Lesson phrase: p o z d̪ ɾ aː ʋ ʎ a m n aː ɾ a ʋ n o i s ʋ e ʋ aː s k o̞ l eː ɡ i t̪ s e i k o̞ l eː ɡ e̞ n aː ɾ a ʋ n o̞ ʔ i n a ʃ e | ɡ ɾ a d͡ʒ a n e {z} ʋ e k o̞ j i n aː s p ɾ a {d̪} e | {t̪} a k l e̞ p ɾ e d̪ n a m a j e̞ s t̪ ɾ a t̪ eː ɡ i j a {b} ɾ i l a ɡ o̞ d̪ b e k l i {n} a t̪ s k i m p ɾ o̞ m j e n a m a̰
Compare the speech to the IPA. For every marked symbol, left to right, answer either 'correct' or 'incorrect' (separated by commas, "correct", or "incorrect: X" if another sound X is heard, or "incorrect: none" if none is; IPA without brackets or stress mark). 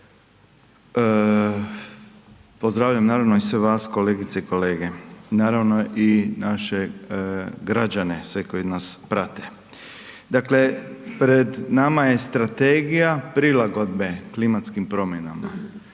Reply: incorrect: s, incorrect: t̪, incorrect: d̪, incorrect: p, incorrect: m